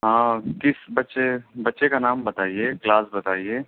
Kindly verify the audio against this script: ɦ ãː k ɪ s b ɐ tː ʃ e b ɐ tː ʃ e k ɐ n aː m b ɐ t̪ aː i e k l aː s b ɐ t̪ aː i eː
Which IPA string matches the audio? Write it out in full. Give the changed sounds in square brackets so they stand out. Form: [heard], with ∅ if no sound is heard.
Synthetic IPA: ɦ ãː k ɪ s b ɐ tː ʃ e b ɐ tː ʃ e k [a] n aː m b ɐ t̪ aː i e k l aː s b ɐ t̪ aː i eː